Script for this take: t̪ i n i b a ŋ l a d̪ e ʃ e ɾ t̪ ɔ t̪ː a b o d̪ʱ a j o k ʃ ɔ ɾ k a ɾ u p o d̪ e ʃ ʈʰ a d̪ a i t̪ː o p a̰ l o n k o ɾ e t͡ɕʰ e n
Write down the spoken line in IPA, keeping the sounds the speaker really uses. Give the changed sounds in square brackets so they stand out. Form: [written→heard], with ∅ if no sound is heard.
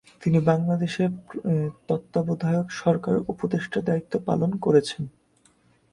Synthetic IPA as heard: t̪ i n i b a ŋ l a d̪ e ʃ e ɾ t̪ ɔ t̪ː a b o d̪ʱ a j o k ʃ ɔ ɾ k a ɾ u p o d̪ e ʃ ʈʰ a d̪ a i t̪ː o p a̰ l o n k o ɾ e t͡ɕʰ e n